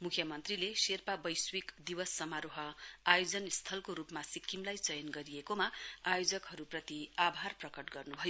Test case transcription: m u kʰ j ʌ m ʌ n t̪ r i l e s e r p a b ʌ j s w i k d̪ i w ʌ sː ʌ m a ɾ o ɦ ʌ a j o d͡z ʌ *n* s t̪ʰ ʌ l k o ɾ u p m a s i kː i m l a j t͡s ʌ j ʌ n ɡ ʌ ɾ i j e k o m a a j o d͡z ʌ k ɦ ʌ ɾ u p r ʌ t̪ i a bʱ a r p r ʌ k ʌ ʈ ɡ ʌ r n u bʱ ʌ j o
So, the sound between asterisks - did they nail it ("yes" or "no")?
yes